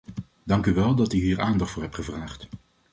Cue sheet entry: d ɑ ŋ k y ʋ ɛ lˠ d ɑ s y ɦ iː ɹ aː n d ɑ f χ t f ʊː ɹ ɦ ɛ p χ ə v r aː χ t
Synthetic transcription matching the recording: d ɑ ŋ k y ʋ ɛ lˠ d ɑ t y ɦ iː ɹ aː n d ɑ χ t f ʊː ɹ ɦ ɛ p χ ə v r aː χ t